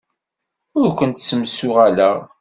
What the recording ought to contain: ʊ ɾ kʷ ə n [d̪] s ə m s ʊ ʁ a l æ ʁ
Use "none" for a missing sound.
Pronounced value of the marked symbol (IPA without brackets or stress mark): t̪